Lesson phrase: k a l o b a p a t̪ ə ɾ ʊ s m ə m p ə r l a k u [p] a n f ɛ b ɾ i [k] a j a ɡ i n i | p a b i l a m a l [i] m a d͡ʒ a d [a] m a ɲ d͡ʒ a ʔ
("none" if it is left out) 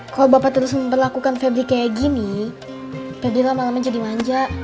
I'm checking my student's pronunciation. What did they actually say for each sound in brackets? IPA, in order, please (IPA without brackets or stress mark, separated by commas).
k, k, a, i